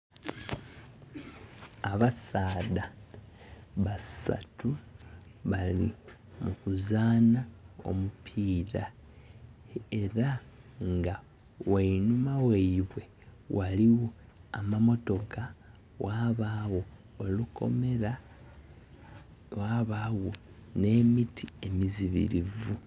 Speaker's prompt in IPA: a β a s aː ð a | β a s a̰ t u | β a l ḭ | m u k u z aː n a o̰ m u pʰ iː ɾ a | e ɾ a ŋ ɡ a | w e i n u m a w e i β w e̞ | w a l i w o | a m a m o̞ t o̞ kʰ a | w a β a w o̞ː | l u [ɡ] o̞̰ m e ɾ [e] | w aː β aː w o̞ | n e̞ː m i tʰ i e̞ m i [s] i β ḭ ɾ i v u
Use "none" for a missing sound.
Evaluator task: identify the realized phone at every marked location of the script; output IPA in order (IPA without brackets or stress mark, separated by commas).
k, a, z